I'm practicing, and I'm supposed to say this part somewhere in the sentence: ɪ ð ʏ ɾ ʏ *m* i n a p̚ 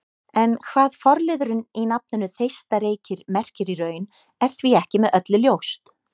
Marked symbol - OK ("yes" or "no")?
no